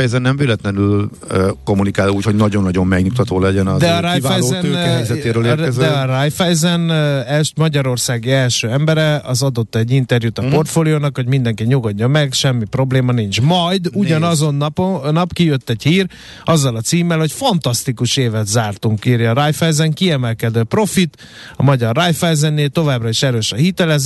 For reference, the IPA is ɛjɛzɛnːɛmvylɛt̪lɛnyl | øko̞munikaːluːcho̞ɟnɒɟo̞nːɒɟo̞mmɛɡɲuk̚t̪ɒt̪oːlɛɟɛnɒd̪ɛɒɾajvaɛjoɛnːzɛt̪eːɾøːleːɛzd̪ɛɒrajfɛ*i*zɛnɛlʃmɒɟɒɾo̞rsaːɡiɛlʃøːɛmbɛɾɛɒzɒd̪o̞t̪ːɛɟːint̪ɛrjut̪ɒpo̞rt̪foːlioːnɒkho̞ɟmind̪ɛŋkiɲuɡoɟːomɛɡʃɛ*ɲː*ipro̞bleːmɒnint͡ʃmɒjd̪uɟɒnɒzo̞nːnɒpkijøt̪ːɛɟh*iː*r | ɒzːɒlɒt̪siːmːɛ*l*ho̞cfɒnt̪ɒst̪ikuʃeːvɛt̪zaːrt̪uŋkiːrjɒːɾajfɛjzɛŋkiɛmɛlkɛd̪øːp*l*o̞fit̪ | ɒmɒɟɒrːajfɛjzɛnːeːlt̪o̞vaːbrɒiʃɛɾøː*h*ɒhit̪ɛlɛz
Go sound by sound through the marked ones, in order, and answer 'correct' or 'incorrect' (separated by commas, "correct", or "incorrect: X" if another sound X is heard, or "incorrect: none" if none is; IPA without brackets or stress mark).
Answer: incorrect: j, incorrect: mː, correct, correct, incorrect: r, incorrect: ʃ